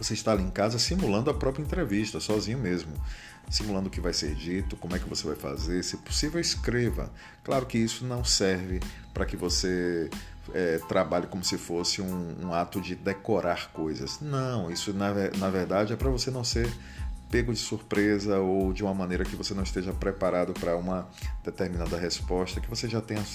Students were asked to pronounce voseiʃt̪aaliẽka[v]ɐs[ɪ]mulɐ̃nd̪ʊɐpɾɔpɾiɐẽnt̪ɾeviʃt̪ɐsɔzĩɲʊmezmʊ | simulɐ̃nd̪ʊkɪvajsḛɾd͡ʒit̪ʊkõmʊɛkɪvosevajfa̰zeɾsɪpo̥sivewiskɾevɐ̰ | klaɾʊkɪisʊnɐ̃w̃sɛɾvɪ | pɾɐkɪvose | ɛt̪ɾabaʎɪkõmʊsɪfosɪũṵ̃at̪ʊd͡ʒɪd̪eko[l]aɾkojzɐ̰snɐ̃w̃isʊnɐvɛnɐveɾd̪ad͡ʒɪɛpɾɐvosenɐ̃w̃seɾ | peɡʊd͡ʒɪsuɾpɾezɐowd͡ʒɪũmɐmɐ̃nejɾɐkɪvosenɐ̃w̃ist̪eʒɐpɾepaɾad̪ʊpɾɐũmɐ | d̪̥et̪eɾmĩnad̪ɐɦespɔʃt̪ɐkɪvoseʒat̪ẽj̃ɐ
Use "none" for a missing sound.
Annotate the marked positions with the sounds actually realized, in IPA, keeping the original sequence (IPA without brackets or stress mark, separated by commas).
z, i, ɾ